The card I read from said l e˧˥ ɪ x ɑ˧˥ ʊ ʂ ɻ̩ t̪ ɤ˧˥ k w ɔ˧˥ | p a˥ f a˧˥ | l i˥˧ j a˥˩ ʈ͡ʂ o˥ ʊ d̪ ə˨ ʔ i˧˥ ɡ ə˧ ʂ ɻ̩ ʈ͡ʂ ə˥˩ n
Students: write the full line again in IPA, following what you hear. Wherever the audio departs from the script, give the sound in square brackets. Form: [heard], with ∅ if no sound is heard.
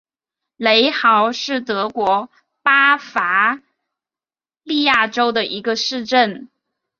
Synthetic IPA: l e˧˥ ɪ x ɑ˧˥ ʊ ʂ ɻ̩ t̪ ɤ˧˥ k w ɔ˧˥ | p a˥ f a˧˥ | l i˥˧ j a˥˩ ʈ͡ʂ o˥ ʊ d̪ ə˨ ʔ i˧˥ ɡ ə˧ ʂ ɻ̩ ʈ͡ʂ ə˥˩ n